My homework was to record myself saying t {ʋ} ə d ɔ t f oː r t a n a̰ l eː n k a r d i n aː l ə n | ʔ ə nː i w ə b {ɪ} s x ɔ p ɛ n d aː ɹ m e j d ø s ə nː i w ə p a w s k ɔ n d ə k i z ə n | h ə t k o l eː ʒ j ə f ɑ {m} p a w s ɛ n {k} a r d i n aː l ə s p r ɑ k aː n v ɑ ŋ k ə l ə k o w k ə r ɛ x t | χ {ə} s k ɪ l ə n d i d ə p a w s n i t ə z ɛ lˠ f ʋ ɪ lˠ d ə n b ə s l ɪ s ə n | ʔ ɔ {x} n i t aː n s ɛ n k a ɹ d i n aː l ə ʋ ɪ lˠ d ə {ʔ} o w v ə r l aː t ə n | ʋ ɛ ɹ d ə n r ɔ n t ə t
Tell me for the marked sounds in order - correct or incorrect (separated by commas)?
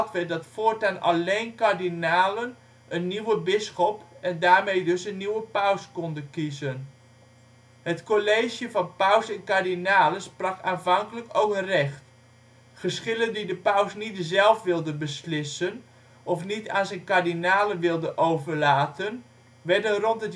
correct, correct, incorrect, correct, correct, incorrect, correct